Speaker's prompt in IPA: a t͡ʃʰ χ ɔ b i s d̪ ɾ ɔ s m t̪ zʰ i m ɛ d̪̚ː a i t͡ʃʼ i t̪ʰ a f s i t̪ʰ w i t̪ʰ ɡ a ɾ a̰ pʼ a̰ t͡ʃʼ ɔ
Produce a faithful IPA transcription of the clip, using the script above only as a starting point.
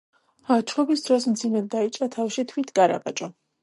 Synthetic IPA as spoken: a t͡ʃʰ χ ɔ b i s d̪ ɾ ɔ s m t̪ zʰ i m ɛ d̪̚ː a i t͡ʃʼ a t̪ʰ a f ʃ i t̪ʰ w i t̪ʰ ɡ a ɾ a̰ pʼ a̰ t͡ʃʼ ɔ